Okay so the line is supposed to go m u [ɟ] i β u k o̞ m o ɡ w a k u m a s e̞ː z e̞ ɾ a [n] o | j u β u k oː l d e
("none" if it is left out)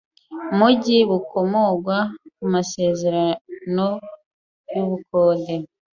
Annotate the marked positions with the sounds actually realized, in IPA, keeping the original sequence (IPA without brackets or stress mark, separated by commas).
ɟ, n